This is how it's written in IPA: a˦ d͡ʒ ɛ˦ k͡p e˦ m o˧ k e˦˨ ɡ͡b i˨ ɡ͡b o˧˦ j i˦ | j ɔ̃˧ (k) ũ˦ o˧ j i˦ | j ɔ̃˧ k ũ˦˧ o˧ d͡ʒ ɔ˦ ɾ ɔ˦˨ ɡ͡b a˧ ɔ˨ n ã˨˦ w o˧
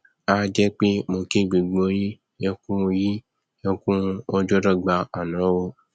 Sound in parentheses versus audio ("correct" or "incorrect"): correct